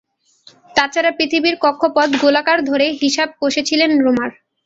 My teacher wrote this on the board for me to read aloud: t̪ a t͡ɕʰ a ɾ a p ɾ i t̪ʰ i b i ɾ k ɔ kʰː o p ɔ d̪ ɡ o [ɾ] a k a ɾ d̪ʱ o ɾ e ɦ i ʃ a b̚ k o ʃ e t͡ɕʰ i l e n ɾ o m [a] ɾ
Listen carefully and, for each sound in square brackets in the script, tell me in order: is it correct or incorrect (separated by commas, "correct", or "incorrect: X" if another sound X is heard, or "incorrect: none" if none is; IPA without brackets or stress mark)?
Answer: incorrect: l, correct